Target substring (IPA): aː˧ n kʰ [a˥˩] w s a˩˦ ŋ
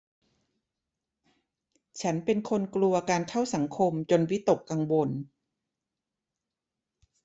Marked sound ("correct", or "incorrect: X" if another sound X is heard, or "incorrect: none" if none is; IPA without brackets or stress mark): correct